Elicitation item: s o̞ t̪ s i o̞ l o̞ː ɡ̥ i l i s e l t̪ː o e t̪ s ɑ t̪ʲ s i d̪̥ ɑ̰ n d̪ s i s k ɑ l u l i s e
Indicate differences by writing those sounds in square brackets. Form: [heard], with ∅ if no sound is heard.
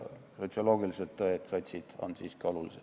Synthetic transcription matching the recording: s o̞ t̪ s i o̞ l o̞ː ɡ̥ i l i s e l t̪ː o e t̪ s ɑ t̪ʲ s i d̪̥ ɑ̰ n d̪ s i s k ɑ l u l i s e